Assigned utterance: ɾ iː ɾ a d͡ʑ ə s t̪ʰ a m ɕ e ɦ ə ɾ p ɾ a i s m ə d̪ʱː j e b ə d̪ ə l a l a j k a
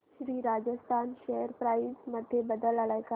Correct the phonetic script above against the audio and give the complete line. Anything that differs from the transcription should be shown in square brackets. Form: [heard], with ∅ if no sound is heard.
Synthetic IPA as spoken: ɾ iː ɾ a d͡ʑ ə s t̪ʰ a [n] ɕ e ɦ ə ɾ p ɾ a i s m ə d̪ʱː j e b ə d̪ ə l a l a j k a

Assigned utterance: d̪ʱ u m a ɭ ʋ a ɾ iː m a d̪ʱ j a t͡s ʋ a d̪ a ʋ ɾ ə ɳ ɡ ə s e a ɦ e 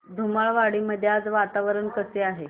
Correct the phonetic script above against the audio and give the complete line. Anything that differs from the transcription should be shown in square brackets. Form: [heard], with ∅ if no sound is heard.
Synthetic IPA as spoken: d̪ʱ u m a ɭ ʋ a [ɽ] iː m [ə] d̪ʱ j a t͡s ʋ a [t̪] a ʋ ɾ ə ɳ [k] ə s e a ɦ e

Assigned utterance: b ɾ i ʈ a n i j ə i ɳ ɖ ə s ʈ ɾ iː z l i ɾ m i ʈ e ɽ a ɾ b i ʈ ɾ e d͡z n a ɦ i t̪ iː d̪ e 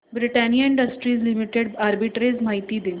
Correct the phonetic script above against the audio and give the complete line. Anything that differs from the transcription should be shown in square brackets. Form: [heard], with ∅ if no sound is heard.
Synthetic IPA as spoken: b ɾ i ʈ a n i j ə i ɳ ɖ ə s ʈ ɾ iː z l i [∅] m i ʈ e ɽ a ɾ b i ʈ ɾ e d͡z [m] a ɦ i t̪ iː d̪ e

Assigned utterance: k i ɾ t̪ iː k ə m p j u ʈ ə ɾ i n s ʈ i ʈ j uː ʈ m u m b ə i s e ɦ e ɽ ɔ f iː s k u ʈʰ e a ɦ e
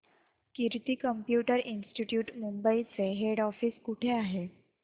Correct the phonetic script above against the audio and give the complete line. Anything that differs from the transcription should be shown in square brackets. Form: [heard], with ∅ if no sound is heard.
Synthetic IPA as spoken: k i ɾ t̪ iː k ə m p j u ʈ ə ɾ i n s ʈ i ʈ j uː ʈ m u m b ə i [t͡s] e ɦ e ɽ ɔ f iː s k u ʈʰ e a ɦ e

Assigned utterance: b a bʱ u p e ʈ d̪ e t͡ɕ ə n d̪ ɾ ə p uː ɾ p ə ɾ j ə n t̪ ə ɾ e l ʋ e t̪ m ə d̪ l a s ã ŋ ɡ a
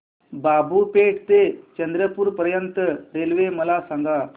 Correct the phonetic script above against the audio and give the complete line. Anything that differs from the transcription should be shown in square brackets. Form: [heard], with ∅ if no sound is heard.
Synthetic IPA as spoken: b a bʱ u p e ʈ [t̪] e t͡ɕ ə n d̪ ɾ ə p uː ɾ p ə ɾ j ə n t̪ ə ɾ e l ʋ e [∅] m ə [∅] l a s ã ŋ ɡ a

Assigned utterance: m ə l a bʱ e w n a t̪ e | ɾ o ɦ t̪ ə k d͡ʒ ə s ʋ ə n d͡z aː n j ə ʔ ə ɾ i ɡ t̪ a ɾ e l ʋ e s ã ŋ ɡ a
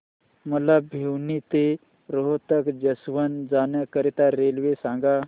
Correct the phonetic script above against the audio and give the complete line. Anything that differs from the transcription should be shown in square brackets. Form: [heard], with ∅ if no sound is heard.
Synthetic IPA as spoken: m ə l a bʱ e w n [i] t̪ e | ɾ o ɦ t̪ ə k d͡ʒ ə s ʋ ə n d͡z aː n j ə [k] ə ɾ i [∅] t̪ a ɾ e l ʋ e s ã ŋ ɡ a

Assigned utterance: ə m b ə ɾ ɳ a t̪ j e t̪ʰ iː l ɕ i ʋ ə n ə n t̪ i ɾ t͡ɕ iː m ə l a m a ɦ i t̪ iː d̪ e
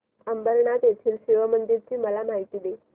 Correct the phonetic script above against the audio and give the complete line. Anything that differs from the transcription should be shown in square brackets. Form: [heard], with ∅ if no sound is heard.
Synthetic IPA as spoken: ə m b ə ɾ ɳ a t̪ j e t̪ʰ iː l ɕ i ʋ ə [m] ə n [d̪] i ɾ t͡ɕ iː m ə l a m a ɦ i t̪ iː d̪ e

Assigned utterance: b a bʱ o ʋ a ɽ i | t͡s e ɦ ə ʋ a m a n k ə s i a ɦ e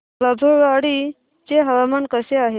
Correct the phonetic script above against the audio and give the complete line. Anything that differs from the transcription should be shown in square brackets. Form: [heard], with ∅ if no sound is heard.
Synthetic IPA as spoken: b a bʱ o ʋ a ɽ i | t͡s e ɦ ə ʋ a m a n k ə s [e] a ɦ e

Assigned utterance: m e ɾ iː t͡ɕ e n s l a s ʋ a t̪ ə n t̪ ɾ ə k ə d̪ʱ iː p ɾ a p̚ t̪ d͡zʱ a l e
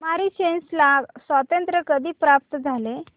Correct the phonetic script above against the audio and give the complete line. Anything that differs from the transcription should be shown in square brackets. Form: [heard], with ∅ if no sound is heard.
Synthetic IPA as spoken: m [a] ɾ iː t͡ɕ e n s l a s ʋ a t̪ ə n t̪ ɾ ə k ə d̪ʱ iː p ɾ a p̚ t̪ d͡zʱ a l e

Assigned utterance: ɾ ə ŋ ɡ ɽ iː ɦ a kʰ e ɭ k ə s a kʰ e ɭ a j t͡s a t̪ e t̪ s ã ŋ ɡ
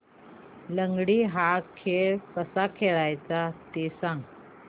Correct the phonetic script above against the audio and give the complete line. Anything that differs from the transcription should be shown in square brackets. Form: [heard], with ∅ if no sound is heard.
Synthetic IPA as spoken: [l] ə ŋ ɡ ɽ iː ɦ a kʰ e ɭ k ə s a kʰ e ɭ a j t͡s a t̪ e [∅] s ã ŋ ɡ

